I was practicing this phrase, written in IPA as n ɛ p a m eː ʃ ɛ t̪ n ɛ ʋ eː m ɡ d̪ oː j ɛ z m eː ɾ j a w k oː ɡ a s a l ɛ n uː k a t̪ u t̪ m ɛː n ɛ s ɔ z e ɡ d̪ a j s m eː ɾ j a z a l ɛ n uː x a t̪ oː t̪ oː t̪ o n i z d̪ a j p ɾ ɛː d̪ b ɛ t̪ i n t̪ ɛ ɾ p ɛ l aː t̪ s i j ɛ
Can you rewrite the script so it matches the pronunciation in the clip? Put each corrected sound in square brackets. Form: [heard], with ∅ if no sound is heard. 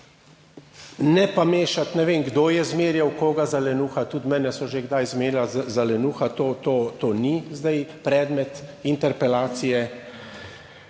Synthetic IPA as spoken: n ɛ p a m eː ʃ [a] t̪ n ɛ ʋ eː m ɡ d̪ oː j ɛ z m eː ɾ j a w k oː ɡ a [z] a l ɛ n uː [x] a t̪ u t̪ m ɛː n ɛ s ɔ [ʒ] e ɡ d̪ a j [z] m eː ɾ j a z a l ɛ n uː x a t̪ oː t̪ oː t̪ o n i z d̪ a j p ɾ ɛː d̪ [m] ɛ t̪ i n t̪ ɛ ɾ p ɛ l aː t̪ s i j ɛ